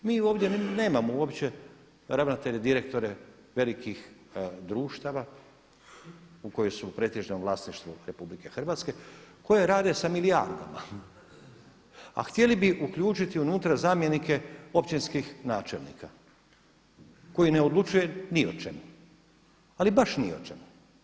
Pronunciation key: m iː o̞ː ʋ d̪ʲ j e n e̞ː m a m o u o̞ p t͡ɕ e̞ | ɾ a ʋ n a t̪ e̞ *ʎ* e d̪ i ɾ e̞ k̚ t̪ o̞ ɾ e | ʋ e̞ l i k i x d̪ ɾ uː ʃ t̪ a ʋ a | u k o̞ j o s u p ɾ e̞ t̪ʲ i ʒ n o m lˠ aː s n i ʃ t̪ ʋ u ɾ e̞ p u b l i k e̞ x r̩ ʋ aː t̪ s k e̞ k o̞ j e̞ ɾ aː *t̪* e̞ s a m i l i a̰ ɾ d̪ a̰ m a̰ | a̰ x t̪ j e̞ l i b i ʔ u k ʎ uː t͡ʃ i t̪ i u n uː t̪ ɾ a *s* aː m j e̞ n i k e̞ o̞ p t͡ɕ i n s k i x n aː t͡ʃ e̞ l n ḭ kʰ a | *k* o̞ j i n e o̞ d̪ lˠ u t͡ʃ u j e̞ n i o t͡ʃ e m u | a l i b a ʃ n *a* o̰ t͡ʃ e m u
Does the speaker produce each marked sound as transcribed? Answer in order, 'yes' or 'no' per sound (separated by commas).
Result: yes, no, no, yes, no